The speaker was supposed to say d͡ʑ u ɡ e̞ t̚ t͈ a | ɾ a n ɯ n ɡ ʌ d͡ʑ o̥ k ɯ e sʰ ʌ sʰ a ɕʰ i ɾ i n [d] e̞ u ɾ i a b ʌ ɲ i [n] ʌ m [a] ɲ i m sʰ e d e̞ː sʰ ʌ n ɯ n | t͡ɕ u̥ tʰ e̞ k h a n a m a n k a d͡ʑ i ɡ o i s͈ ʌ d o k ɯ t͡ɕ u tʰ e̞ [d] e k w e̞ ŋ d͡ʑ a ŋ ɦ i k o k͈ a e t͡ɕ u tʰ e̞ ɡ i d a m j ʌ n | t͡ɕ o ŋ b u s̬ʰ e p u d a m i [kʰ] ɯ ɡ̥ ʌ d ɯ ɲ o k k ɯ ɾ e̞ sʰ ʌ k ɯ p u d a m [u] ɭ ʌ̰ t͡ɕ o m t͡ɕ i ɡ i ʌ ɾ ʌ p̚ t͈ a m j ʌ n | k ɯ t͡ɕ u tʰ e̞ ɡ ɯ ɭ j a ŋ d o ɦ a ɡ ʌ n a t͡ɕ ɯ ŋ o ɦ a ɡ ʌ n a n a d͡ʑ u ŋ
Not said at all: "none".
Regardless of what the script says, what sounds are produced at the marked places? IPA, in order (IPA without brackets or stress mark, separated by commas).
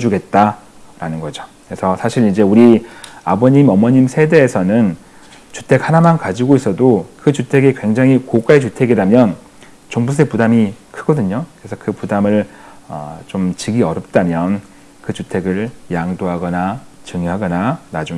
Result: d͡ʑ, m, ʌ, ɡ, kʰ, ɯ